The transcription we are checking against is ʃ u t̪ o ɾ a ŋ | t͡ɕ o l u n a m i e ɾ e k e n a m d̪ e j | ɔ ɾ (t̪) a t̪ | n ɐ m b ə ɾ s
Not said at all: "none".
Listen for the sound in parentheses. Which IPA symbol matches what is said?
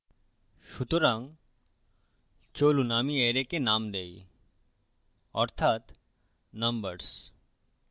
t̪ʰ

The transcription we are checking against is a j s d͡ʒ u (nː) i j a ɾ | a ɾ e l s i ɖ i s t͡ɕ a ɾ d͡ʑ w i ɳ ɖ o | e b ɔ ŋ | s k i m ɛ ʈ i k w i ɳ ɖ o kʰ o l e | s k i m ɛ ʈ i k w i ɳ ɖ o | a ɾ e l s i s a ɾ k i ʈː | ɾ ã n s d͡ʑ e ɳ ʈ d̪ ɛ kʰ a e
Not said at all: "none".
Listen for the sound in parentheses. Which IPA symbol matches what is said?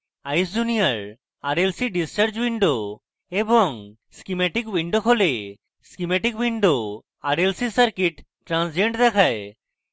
n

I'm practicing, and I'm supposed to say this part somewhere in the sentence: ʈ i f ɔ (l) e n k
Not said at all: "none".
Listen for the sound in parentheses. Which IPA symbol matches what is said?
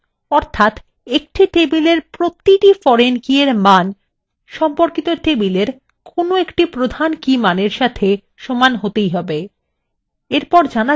ɾ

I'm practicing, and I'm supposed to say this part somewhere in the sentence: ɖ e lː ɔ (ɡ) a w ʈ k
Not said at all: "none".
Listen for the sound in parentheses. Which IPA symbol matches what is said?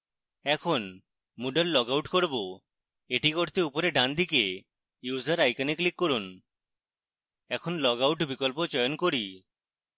ɡ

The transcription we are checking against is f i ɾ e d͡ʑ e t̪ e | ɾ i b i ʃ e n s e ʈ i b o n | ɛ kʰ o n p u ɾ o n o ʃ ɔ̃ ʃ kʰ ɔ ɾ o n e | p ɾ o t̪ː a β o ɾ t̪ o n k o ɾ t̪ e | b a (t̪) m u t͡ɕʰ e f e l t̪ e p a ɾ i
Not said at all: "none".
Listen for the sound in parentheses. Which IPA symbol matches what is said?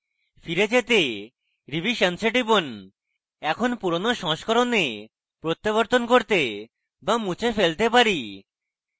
none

